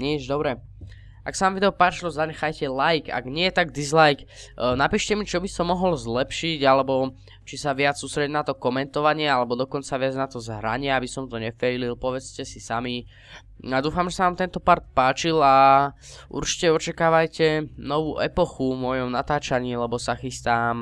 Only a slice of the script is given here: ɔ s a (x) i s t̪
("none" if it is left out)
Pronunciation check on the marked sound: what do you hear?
x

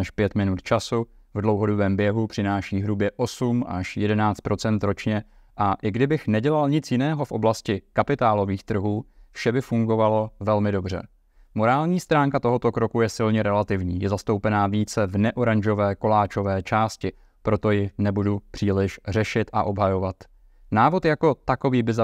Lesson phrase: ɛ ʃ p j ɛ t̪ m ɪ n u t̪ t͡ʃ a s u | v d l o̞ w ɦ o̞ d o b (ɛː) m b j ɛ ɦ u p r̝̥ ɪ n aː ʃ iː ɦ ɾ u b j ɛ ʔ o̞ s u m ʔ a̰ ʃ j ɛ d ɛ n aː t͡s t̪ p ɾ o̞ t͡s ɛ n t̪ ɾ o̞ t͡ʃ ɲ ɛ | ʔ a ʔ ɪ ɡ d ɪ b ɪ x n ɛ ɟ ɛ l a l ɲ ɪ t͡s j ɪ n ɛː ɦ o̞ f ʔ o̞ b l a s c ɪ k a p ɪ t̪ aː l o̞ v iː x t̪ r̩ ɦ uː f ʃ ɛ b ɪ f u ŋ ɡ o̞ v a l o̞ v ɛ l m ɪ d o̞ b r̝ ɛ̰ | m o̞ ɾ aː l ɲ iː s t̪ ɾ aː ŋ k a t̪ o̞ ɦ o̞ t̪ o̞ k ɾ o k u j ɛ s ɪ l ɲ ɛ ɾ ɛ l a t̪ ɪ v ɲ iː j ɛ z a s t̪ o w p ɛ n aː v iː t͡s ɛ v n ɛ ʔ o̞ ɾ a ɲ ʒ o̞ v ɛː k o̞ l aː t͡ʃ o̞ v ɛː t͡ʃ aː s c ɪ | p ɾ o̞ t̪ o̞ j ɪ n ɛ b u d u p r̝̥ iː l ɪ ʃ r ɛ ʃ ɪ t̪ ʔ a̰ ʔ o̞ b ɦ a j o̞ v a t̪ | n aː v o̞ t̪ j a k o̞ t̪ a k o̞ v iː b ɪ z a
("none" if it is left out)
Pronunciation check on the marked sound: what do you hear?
ɛː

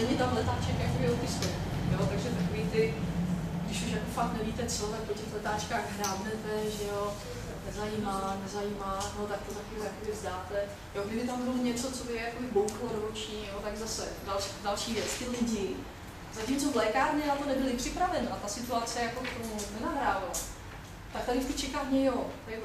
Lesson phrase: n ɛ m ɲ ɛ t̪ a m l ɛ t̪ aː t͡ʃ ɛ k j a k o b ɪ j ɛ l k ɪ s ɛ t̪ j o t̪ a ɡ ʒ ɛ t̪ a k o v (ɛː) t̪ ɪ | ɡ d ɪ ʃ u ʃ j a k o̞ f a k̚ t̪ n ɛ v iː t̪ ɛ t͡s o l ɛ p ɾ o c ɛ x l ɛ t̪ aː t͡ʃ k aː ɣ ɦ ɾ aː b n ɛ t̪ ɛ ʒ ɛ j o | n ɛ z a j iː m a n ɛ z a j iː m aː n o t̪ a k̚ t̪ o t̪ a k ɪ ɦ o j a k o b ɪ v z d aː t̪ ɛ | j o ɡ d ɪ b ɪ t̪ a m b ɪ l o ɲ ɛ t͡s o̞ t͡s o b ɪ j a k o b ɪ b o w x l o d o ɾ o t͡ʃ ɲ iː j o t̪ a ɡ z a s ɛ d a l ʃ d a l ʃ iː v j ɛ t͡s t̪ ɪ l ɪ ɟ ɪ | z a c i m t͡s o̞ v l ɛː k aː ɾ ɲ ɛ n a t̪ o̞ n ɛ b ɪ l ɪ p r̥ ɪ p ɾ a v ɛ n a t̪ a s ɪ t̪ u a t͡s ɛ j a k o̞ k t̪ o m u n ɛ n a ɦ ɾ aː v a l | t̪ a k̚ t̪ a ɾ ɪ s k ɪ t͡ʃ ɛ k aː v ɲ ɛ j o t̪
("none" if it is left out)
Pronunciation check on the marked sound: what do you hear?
iː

